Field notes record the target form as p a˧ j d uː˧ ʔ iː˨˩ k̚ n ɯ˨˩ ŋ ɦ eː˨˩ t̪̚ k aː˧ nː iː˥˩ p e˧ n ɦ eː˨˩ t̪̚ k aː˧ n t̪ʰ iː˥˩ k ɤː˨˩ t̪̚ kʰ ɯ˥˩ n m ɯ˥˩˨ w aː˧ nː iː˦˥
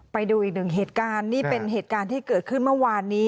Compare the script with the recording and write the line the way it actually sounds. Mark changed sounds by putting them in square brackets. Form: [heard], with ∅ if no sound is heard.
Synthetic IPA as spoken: p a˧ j d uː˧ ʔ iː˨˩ k̚ n ɯ˨˩ ŋ ɦ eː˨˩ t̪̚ k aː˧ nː iː˥˩ p e˧ n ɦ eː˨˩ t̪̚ k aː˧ n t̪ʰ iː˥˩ k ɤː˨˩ t̪̚ kʰ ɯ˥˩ n m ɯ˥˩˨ w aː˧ nː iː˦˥